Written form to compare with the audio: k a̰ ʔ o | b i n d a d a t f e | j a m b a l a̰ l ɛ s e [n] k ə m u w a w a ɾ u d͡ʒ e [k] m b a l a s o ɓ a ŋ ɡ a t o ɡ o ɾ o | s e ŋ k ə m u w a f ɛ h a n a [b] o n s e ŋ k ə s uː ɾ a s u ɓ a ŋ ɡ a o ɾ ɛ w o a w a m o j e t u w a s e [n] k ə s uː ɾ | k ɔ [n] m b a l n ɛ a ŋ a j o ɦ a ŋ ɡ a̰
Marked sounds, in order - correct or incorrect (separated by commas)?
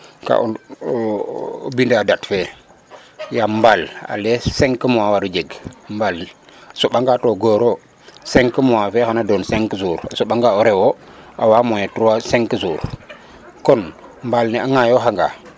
incorrect, incorrect, incorrect, incorrect, correct